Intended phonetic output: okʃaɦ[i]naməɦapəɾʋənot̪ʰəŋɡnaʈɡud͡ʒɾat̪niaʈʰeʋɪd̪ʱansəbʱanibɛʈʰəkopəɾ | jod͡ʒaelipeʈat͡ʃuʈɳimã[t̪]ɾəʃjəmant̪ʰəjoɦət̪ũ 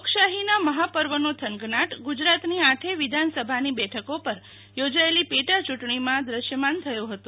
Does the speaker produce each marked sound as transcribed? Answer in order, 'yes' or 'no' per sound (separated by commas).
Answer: yes, no